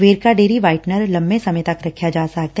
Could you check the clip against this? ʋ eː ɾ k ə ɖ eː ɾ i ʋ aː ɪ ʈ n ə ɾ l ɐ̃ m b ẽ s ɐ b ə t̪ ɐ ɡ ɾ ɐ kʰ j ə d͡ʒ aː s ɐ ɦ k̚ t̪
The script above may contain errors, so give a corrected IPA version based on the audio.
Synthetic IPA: ʋ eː ɾ k a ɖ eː ɾ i ʋ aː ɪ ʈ n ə ɾ l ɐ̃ m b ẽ s ɐ m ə t̪ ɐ k ɾ ɐ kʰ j a d͡ʒ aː s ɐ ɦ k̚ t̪